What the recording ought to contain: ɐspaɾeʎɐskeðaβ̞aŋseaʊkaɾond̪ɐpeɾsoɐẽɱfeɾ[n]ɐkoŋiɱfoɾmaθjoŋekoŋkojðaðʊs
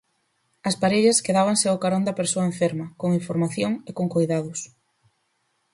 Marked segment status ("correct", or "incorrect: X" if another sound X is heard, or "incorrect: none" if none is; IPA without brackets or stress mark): incorrect: m